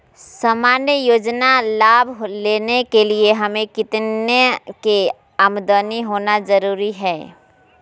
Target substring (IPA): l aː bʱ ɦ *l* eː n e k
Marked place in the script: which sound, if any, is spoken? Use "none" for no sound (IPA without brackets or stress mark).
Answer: l